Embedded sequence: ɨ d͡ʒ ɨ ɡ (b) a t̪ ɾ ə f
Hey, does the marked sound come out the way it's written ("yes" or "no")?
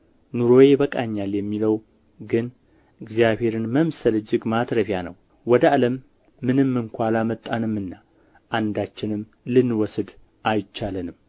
no